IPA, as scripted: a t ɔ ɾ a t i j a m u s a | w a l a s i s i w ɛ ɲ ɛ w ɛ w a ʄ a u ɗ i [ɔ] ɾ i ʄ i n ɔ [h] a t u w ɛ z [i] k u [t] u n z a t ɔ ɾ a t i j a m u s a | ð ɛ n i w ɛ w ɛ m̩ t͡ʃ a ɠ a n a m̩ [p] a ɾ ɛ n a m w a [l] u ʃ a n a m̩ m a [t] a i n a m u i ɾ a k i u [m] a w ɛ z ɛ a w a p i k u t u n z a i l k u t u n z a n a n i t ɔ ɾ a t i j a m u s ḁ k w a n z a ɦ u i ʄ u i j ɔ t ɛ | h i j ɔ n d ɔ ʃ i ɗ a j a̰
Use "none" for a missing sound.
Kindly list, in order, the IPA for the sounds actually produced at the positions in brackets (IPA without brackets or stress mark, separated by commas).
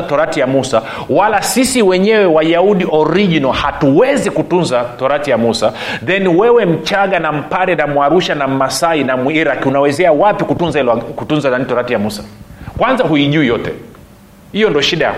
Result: ɔ, h, i, t, p, ɾ, s, n